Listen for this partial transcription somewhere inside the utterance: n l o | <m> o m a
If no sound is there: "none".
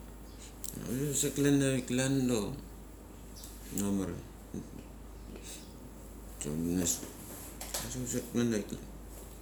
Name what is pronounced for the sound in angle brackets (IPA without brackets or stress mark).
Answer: n